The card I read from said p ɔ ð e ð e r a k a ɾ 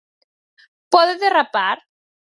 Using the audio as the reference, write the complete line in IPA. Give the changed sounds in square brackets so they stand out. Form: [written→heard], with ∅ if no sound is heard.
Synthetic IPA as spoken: p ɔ ð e ð e r a [k→p] a ɾ